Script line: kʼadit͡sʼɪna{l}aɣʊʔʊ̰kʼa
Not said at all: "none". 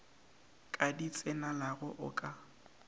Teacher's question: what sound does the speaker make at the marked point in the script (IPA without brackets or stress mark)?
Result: l